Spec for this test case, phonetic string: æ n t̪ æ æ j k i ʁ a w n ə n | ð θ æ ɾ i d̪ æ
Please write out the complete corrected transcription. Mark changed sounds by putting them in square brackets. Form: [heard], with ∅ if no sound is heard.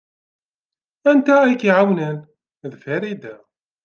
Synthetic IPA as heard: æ n t̪ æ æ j k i [ʕ] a w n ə n | ð [f] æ ɾ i d̪ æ